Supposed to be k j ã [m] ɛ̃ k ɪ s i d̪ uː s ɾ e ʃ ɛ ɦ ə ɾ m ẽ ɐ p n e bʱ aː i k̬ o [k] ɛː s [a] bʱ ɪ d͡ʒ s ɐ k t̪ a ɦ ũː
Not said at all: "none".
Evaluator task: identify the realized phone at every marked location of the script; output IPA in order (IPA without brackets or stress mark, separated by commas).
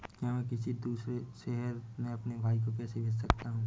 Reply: m, k, e